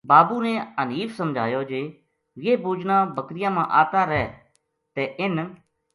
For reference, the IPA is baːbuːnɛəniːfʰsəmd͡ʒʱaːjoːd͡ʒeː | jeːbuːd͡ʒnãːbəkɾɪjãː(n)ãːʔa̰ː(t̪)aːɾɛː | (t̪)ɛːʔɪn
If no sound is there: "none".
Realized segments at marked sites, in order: m, t̪, t̪

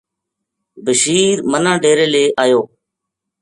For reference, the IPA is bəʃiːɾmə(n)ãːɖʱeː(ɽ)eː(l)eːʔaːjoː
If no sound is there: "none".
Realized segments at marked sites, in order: n, ɾ, l

